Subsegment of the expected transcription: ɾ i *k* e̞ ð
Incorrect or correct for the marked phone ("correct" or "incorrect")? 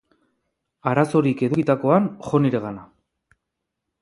correct